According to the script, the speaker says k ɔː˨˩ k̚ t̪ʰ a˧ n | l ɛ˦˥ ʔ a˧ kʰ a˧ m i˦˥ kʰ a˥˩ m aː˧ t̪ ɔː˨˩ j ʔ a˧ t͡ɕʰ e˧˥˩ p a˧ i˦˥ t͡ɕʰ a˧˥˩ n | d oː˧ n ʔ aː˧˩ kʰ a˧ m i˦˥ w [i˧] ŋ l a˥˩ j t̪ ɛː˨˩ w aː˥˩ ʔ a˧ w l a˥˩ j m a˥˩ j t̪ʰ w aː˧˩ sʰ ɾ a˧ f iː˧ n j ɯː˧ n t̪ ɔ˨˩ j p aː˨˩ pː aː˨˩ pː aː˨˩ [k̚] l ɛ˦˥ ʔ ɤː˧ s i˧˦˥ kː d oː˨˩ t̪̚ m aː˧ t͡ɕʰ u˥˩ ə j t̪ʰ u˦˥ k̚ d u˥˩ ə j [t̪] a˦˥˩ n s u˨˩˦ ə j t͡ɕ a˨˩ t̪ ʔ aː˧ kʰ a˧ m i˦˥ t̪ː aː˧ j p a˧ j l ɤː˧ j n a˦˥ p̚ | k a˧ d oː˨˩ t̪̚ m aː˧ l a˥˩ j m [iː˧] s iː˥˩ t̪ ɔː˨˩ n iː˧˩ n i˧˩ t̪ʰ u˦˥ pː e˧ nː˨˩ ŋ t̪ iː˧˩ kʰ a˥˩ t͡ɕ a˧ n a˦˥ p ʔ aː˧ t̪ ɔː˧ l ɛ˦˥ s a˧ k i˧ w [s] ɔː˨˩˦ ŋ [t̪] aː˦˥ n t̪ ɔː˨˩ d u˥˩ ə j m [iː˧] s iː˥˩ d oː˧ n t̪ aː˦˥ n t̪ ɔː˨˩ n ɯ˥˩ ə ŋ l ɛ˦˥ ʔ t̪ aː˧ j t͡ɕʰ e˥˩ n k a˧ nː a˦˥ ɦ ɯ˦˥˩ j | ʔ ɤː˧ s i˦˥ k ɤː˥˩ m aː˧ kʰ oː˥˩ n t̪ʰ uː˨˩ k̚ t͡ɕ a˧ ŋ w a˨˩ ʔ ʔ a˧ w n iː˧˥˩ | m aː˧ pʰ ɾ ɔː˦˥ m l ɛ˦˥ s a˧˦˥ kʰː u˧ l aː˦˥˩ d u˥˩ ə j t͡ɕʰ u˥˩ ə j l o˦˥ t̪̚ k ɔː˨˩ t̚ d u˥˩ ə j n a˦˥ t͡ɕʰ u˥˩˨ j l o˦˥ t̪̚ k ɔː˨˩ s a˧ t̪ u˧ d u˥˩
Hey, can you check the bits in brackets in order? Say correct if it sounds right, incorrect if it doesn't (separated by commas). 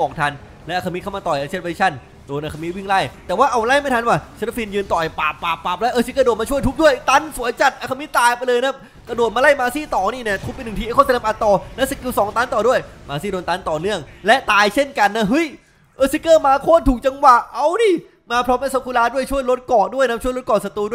incorrect, incorrect, correct, incorrect, correct, correct, incorrect